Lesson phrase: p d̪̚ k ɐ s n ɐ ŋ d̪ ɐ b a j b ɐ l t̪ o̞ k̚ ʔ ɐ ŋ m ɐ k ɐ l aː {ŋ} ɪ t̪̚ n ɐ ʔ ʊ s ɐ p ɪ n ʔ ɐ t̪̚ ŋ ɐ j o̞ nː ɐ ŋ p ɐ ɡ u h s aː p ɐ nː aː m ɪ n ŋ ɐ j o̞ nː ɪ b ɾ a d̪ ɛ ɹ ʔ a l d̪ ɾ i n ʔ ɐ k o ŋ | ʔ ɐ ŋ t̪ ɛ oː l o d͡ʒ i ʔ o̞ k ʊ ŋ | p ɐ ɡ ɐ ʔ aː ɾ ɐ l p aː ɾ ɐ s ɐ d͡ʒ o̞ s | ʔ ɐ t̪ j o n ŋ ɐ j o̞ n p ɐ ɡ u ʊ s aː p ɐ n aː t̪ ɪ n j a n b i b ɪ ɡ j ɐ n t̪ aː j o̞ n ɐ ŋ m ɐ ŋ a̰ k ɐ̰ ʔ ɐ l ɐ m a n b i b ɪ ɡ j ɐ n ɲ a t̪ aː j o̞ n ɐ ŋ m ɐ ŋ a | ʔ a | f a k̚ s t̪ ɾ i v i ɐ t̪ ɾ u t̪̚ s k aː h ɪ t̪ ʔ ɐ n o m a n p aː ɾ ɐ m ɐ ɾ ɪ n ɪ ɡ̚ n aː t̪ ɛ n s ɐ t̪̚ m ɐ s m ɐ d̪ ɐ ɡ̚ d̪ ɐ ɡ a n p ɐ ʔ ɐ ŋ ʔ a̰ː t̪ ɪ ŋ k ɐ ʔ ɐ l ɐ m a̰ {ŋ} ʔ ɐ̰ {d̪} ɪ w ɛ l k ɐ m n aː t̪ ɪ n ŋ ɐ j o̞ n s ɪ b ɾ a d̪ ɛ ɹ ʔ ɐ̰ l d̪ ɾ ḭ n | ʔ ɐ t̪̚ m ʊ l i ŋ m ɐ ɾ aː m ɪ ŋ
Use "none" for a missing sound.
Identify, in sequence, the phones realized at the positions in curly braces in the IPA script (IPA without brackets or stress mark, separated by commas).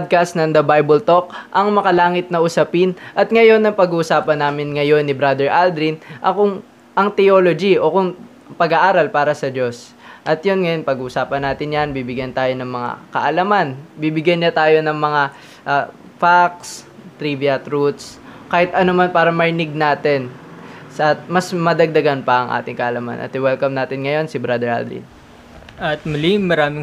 ŋ, n, t̪